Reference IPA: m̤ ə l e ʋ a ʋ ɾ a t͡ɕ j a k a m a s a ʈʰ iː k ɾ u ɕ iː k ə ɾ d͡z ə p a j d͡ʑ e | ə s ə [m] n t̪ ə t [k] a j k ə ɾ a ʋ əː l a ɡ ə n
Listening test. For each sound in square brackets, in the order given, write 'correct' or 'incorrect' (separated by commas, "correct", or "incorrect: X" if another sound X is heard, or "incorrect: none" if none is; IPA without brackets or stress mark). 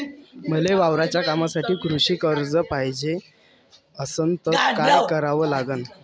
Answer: incorrect: none, correct